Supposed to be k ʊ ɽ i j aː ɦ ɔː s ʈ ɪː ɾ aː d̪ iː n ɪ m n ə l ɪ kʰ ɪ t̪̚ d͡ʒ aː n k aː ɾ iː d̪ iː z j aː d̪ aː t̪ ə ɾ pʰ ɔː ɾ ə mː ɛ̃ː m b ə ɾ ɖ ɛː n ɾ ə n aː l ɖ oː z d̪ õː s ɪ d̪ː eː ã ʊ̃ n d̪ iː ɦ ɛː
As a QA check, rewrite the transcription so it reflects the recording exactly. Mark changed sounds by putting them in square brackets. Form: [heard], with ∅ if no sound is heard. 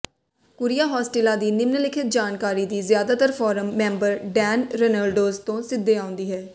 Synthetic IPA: k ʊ [ɾ] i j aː ɦ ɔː s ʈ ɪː [l] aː d̪ iː n ɪ m n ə l ɪ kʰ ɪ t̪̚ d͡ʒ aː n k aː ɾ iː d̪ iː z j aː d̪ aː t̪ ə ɾ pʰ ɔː ɾ ə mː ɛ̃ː m b ə ɾ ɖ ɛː n ɾ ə n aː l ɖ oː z [t̪] õː s ɪ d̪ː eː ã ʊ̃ n d̪ iː ɦ ɛː

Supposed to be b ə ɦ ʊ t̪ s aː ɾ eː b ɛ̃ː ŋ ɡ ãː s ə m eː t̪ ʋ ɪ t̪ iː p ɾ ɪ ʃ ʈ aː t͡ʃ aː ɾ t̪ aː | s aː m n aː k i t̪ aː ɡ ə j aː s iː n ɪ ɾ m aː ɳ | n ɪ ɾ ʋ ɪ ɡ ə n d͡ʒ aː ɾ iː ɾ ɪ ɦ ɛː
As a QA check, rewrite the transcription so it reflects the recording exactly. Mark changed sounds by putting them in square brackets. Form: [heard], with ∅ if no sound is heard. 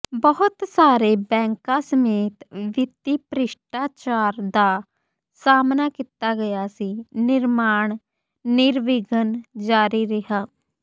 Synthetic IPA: b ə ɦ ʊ t̪ s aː ɾ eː b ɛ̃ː ŋ [k] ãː s ə m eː t̪ ʋ ɪ t̪ iː p ɾ ɪ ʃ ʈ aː t͡ʃ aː ɾ [d̪] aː | s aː m n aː k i t̪ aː ɡ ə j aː s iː n ɪ ɾ m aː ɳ | n ɪ ɾ ʋ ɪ ɡ ə n d͡ʒ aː ɾ iː ɾ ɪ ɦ [aː]

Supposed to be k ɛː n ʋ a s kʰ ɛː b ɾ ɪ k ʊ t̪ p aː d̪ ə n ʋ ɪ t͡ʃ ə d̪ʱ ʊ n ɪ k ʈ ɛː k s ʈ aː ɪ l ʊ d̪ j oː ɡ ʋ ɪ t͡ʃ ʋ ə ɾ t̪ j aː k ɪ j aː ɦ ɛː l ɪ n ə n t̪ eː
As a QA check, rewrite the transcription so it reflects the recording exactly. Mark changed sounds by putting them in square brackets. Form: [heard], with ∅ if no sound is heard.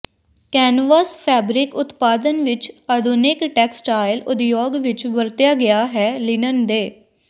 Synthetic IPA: k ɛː n ʋ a s [pʰ] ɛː b ɾ ɪ k ʊ t̪ p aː d̪ ə n ʋ ɪ t͡ʃ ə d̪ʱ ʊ n ɪ k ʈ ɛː k s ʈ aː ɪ l ʊ d̪ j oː ɡ ʋ ɪ t͡ʃ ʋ ə ɾ t̪ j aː [ɡ] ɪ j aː ɦ ɛː l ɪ n ə n [d̪] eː

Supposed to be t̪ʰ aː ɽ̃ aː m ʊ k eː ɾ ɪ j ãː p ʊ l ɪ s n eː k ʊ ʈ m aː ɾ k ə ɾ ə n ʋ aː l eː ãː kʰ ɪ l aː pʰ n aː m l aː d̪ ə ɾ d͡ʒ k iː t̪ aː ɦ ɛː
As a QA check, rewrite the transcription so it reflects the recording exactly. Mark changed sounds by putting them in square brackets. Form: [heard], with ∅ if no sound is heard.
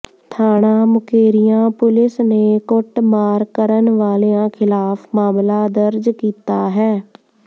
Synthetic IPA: t̪ʰ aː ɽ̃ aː m ʊ k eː ɾ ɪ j ãː p ʊ l ɪ s n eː k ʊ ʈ m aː ɾ k ə ɾ ə n ʋ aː l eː ãː kʰ ɪ l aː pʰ [m] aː m l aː d̪ ə ɾ d͡ʒ k iː t̪ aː ɦ ɛː

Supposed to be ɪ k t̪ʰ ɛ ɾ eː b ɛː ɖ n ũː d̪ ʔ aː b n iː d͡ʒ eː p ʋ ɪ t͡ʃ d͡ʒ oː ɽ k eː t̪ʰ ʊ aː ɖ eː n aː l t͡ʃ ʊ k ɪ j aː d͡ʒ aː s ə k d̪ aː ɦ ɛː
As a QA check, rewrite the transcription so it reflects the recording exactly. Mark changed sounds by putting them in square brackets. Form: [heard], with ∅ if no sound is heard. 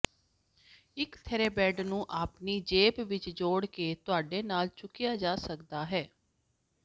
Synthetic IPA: ɪ k t̪ʰ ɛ ɾ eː b ɛː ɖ n ũː [∅] ʔ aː [p] n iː d͡ʒ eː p ʋ ɪ t͡ʃ d͡ʒ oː ɽ k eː [t̪] ʊ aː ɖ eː n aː l t͡ʃ ʊ k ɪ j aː d͡ʒ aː s ə k d̪ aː ɦ ɛː

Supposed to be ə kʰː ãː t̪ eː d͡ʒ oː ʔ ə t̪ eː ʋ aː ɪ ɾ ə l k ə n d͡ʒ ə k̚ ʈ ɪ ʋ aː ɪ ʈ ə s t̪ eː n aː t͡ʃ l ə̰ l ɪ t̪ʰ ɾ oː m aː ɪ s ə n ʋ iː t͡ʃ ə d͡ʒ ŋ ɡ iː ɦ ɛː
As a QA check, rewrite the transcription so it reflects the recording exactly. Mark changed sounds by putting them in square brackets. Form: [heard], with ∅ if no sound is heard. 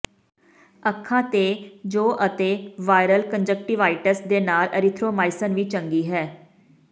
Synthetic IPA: ə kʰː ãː t̪ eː d͡ʒ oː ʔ ə t̪ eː ʋ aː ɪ ɾ ə l k ə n d͡ʒ ə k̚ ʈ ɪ ʋ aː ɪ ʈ ə s [d̪] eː n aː [∅] l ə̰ [ɾ] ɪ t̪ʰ ɾ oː m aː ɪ s ə n ʋ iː t͡ʃ ə [∅] ŋ ɡ iː ɦ ɛː

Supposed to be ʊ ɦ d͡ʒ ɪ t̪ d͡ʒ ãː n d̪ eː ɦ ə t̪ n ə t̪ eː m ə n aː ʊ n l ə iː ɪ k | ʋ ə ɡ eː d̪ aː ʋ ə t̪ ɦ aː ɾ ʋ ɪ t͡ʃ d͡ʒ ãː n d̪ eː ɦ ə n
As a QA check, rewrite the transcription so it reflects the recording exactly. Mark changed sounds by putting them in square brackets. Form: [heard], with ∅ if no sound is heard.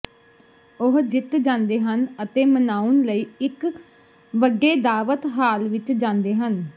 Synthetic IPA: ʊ ɦ d͡ʒ ɪ t̪ d͡ʒ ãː n d̪ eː ɦ ə [∅] n ə t̪ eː m ə n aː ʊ n l ə iː ɪ k | ʋ ə ɡ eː d̪ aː ʋ ə t̪ ɦ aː [l] ʋ ɪ t͡ʃ d͡ʒ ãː n d̪ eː ɦ ə n

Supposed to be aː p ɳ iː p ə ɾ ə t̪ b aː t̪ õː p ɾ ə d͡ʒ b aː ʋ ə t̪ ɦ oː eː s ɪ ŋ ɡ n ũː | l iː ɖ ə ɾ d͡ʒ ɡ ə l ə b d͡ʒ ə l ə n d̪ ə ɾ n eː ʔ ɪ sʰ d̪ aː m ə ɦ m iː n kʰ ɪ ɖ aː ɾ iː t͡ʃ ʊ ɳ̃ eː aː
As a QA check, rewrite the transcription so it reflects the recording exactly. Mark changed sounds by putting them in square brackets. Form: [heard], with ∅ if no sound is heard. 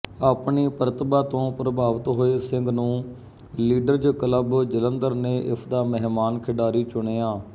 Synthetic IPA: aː p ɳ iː p ə ɾ ə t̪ b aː t̪ õː p ɾ ə [∅] b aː ʋ ə t̪ ɦ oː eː s ɪ ŋ ɡ n ũː | l iː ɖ ə ɾ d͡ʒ [k] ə l ə b d͡ʒ ə l ə n d̪ ə ɾ n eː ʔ ɪ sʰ d̪ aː m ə ɦ m [aː] n kʰ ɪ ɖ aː ɾ iː t͡ʃ ʊ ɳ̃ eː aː

